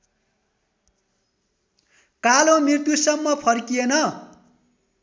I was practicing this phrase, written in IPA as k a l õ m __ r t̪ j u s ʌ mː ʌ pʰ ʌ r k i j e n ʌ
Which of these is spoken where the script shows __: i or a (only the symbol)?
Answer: i